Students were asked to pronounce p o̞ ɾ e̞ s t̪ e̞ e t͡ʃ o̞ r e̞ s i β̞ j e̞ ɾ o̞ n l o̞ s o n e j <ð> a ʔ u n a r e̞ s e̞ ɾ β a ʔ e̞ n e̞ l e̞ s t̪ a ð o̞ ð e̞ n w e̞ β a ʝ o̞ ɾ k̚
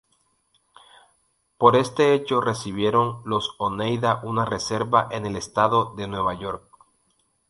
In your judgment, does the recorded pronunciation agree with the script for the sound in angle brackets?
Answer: yes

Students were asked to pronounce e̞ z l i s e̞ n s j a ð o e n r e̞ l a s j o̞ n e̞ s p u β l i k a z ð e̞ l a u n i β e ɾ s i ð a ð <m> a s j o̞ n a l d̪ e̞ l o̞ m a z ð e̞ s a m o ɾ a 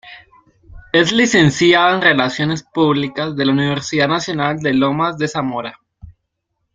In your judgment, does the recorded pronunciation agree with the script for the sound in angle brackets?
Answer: no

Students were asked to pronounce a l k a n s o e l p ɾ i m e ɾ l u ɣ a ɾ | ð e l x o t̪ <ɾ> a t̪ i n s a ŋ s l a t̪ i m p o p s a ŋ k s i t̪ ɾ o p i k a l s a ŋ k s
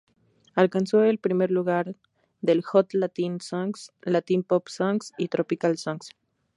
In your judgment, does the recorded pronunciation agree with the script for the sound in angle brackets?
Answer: no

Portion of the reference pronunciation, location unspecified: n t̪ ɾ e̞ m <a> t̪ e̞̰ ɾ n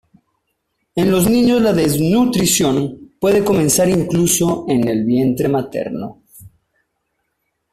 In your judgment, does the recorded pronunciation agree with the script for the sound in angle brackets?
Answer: yes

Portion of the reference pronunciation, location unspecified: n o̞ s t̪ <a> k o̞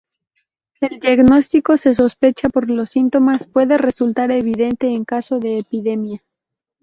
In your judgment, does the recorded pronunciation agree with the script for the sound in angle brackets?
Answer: no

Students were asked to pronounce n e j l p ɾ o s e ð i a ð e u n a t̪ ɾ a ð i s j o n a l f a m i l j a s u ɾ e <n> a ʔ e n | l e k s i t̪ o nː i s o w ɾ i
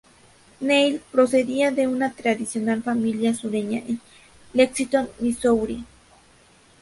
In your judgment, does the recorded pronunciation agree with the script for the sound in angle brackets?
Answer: no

